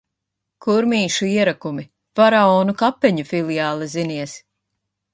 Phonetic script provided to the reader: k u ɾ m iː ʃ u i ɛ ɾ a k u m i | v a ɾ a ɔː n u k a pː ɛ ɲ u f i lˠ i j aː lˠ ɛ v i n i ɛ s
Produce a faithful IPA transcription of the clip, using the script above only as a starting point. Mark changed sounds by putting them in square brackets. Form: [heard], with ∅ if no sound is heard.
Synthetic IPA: k u ɾ m iː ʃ u i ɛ ɾ a k u m i | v a ɾ a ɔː n u k a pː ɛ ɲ u f i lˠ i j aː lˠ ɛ [z] i n i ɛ s